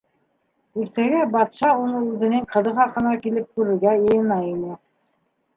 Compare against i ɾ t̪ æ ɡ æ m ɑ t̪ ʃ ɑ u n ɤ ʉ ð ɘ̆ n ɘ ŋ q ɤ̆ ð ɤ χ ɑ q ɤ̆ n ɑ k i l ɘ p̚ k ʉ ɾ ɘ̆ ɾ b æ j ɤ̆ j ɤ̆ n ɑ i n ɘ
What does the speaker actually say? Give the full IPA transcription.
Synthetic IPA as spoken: i ɾ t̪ æ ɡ æ b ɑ t̪ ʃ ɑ u n ɤ ʉ ð ɘ̆ n ɘ ŋ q ɤ̆ ð ɤ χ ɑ q ɤ̆ n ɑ k i l ɘ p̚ k ʉ ɾ ɘ̆ ɾ ɡ æ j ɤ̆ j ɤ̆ n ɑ i n ɘ